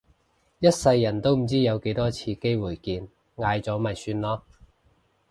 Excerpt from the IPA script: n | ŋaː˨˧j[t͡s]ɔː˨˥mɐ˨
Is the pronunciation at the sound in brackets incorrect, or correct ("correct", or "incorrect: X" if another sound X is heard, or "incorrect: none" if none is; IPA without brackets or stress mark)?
correct